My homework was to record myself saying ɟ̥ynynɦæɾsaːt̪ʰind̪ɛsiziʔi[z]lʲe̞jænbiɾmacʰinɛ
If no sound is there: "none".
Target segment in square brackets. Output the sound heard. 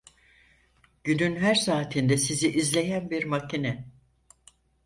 z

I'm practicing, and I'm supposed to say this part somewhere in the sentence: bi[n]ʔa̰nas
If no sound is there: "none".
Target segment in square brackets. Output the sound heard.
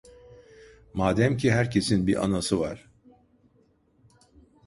none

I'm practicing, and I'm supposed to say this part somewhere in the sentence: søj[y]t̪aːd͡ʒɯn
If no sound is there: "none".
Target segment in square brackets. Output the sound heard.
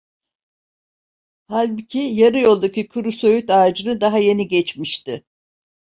y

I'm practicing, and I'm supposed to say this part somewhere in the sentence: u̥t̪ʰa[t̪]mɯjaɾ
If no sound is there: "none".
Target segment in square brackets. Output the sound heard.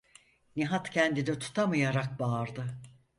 none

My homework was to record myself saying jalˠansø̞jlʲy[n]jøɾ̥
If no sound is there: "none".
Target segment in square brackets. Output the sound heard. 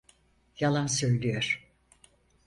none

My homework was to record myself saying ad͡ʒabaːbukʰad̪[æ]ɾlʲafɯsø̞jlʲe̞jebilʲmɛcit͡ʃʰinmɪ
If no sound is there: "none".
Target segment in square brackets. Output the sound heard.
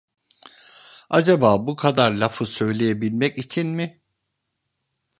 a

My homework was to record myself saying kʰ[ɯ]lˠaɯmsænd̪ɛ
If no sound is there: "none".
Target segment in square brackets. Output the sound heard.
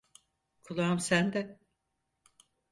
u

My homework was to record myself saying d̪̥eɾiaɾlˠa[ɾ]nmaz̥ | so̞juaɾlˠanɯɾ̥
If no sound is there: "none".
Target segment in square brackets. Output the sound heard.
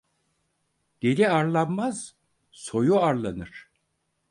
none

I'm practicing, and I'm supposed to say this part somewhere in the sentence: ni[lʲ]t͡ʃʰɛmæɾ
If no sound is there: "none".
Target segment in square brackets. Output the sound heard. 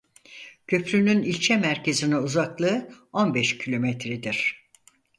lʲ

